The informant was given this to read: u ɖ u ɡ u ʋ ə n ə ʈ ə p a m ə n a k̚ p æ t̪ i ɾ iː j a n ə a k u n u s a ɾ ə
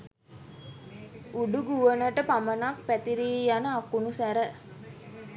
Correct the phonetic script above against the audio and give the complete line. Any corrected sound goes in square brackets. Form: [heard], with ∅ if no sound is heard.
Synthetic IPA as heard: u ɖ u ɡ u ʋ ə n ə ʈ ə p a m ə n a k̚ p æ t̪ i ɾ iː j a n ə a k u n u s [æ] ɾ ə